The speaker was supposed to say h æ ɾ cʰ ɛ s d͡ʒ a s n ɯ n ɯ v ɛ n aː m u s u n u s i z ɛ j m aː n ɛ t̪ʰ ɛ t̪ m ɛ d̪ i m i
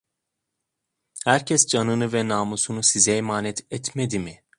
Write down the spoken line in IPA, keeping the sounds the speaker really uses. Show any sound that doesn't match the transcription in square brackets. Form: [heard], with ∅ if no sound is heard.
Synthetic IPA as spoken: h æ ɾ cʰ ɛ s d͡ʒ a [∅] n ɯ n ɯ v ɛ n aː m u s u n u s i z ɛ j m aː n ɛ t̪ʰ ɛ t̪ m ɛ d̪ i m i